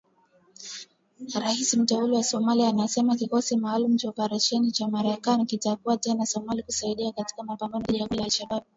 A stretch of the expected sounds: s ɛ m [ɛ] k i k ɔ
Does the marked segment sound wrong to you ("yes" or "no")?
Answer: yes